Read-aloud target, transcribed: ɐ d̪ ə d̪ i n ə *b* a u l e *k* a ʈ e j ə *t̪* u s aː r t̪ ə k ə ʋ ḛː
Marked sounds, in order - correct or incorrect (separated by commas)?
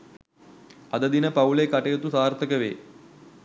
incorrect, correct, correct